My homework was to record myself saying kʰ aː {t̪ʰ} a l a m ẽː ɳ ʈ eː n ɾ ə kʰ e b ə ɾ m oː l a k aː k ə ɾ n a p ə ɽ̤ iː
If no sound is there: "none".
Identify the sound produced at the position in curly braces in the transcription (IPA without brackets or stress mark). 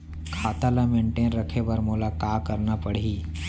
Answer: t̪